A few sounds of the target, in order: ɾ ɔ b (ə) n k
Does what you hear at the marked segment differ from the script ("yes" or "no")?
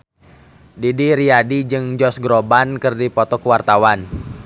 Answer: yes